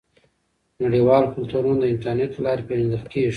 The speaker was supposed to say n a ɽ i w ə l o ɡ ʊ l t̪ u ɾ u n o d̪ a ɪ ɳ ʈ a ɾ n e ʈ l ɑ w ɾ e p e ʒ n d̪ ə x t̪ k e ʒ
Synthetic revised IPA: n a ɽ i w ɑ l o k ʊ l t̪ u ɾ u n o d̪ ə ɪ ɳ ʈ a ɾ n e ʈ l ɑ ɾ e p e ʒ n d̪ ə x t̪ k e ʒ